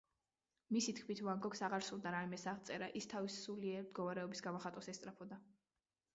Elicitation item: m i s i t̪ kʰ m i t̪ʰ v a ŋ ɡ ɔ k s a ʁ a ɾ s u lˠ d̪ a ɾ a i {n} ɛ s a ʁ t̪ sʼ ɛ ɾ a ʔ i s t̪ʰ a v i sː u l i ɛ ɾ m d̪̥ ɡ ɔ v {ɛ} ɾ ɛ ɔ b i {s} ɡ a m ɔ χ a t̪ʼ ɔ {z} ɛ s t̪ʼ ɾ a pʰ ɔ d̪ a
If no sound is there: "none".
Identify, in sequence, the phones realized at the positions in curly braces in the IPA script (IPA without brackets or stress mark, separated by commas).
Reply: m, a, s, s